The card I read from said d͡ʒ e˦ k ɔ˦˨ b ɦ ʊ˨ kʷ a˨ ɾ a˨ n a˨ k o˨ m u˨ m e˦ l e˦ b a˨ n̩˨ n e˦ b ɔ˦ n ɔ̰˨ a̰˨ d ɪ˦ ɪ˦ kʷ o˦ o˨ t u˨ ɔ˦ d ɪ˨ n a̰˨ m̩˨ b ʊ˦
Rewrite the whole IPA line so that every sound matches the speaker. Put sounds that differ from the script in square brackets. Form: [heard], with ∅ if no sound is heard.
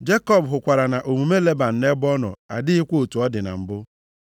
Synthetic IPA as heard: d͡ʒ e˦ k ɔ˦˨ b ɦ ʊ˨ kʷ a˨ ɾ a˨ n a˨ [ʔ] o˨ m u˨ m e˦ l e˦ b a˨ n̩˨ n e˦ b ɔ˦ n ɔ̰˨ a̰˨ d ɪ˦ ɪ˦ kʷ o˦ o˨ t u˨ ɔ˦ d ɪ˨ n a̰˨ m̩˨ b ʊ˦